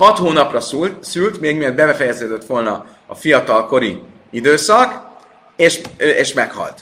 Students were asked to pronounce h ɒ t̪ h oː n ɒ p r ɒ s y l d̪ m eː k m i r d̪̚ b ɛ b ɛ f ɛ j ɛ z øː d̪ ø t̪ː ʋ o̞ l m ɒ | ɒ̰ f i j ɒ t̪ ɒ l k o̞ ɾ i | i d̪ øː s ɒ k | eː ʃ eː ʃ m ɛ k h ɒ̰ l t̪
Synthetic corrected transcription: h ɒ t̪ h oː n ɒ p r ɒ s y l t̪ m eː ɡ m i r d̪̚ b ɛ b ɛ f ɛ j ɛ z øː d̪ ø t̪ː ʋ o̞ l n ɒ | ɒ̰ f i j ɒ t̪ ɒ l k o̞ ɾ i | i d̪ øː s ɒ k | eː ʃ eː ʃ m ɛ k h ɒ̰ l t̪